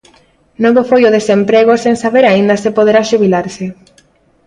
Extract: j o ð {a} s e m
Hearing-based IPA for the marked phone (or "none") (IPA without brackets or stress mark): e